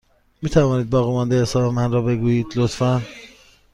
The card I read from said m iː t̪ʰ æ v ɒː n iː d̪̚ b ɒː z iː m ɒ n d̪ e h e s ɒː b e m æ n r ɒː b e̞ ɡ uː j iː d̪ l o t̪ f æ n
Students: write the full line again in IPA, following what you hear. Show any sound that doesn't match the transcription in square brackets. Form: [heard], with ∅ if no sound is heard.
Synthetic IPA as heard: m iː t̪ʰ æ v ɒː n iː d̪̚ b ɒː [ɣ] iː m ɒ n d̪ e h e s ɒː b e m æ n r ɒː b e̞ ɡ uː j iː d̪ l o t̪ f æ n

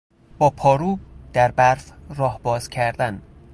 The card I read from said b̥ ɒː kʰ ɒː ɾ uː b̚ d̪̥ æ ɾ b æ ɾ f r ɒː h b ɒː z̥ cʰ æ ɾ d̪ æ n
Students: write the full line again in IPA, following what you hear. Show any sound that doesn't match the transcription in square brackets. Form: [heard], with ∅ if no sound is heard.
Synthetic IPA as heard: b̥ ɒː [pʰ] ɒː ɾ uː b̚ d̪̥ æ ɾ b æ ɾ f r ɒː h b ɒː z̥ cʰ æ ɾ d̪ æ n

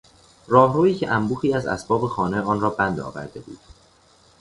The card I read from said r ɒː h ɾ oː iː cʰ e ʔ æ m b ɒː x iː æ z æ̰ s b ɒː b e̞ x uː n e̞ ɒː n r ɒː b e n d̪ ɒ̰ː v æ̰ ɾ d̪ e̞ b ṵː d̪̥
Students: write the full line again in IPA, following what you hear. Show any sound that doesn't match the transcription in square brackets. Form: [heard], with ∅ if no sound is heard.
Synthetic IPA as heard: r ɒː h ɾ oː iː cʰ e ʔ æ m b [uː] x iː æ z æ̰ s b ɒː b e̞ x [ɒː] n e̞ ɒː n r ɒː b [æ] n d̪ ɒ̰ː v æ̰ ɾ d̪ e̞ b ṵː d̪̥

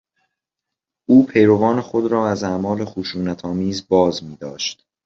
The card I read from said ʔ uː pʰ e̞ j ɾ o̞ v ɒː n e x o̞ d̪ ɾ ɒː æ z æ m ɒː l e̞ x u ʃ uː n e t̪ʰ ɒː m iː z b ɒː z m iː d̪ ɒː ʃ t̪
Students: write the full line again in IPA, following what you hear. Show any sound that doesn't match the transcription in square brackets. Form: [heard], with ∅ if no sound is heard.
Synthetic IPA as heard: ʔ uː pʰ e̞ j ɾ o̞ v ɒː n e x o̞ d̪ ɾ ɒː æ z æ m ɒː l e̞ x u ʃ uː n [æ] t̪ʰ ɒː m iː z b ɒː z m iː d̪ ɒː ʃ t̪

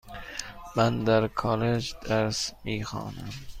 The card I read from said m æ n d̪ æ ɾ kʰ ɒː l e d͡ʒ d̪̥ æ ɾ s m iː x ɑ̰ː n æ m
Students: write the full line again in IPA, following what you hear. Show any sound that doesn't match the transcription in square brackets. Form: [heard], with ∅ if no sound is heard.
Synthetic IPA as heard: m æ n d̪ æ ɾ kʰ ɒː l e d͡ʒ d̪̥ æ ɾ s m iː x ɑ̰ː n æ m

